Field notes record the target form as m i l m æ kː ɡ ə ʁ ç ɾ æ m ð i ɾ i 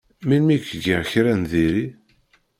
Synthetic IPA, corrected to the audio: m i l m i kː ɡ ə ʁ ç ɾ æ n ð i ɾ i